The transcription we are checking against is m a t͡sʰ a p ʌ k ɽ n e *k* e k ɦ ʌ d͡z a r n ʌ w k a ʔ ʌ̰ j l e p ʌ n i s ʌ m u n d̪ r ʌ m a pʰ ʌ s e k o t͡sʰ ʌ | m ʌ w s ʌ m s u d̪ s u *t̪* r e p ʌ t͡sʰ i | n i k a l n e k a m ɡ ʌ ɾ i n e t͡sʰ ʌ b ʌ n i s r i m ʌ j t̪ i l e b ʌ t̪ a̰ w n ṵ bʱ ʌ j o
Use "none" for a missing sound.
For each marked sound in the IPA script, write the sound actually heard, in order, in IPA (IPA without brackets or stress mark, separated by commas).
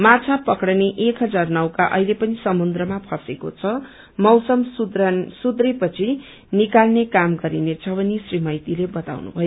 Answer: ʔ, d̪